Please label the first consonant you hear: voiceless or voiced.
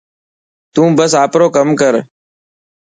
voiceless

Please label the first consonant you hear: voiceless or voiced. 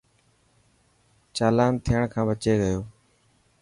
voiceless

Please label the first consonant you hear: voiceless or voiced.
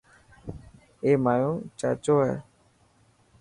voiced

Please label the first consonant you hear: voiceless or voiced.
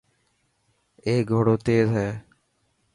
voiced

